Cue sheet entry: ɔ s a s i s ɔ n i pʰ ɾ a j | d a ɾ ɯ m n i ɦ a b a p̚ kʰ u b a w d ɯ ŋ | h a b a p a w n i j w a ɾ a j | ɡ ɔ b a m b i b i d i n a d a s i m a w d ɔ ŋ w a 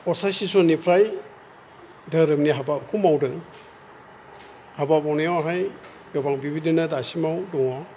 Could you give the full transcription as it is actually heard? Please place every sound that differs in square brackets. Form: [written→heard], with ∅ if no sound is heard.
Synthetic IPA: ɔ s a s i s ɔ n i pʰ ɾ a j | d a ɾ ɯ m n i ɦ a b a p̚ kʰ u [b→m] a w d ɯ ŋ | h a b a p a w n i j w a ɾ a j | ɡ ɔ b a [m→ŋ] b i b i d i n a d a s i m a w d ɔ ŋ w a